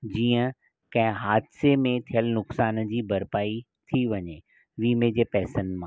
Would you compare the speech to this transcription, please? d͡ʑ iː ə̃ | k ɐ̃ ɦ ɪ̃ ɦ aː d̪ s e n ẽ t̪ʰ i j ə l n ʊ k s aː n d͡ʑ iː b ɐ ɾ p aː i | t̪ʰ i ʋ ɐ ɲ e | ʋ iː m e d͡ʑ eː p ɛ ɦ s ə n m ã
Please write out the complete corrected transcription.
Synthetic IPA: d͡ʑ iː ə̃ | k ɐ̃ ɦ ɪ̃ ɦ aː d̪ s e m ẽ t̪ʰ i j ə l n ʊ k s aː n d͡ʑ iː b ɐ ɾ p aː i | t̪ʰ i ʋ ɐ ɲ e | ʋ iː m e d͡ʑ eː p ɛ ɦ s ə n m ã